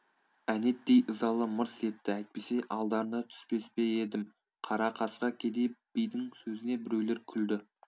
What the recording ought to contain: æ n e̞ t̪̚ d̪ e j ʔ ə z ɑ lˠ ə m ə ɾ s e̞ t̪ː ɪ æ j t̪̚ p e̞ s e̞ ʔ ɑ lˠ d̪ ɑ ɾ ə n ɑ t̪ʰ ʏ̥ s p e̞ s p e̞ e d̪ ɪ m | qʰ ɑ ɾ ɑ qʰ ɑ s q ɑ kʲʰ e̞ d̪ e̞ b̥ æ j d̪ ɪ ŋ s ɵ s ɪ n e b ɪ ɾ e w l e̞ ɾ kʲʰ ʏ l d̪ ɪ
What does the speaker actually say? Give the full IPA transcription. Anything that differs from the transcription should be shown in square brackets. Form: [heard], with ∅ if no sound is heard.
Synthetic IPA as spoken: æ n e̞ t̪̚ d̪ e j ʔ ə z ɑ lˠ ə m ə ɾ s e̞ t̪ː ɪ æ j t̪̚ p e̞ s e̞ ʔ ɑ lˠ d̪ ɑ ɾ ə n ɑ t̪ʰ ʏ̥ s p e̞ s p e̞ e d̪ ɪ m | qʰ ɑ ɾ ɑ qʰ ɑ s q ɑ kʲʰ e̞ d̪ e̞ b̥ [i] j d̪ ɪ ŋ s ɵ [z] ɪ n e b ɪ ɾ e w l e̞ ɾ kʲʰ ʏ l d̪ ɪ